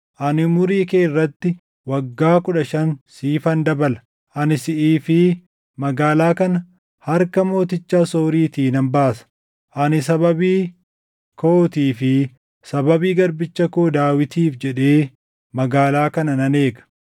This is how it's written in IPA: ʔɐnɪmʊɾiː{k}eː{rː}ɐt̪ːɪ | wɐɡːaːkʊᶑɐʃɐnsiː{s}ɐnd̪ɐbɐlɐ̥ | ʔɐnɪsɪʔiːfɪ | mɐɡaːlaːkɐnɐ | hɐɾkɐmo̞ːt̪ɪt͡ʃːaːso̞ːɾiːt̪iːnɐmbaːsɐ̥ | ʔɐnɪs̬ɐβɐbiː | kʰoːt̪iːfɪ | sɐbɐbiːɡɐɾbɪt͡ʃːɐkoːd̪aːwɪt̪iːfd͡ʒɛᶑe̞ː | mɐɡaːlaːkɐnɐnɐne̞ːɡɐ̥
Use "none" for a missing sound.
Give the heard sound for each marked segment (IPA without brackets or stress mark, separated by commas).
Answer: k, rː, f